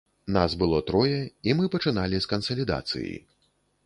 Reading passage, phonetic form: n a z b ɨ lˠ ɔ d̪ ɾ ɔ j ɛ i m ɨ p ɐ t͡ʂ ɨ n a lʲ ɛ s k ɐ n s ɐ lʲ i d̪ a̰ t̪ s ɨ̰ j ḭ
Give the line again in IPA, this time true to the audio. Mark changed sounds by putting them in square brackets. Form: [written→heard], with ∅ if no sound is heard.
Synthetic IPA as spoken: n a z b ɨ lˠ ɔ [d̪→t̪] ɾ ɔ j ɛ i m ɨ p ɐ t͡ʂ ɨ n a lʲ [ɛ→i] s k ɐ n s ɐ lʲ i d̪ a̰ t̪ s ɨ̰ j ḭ